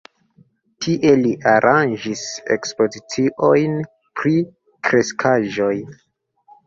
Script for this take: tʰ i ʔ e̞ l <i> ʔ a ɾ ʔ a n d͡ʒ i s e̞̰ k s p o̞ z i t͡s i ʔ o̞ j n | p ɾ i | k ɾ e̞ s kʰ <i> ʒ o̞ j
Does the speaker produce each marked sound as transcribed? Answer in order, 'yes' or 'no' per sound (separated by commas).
yes, no